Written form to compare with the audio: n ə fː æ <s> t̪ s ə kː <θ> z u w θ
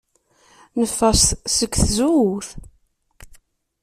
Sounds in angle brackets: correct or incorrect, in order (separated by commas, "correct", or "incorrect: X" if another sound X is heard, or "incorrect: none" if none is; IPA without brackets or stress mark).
correct, correct